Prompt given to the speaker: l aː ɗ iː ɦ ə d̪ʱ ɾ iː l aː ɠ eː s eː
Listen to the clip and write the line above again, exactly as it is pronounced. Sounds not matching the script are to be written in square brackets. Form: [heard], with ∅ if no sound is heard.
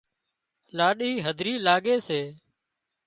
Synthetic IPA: l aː ɗ iː ɦ ə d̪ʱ ɾ iː l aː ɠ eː s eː